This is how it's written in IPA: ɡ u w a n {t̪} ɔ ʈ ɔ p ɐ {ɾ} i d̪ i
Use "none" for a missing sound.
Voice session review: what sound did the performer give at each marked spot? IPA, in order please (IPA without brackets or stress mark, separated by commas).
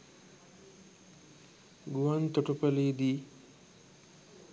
t̪, l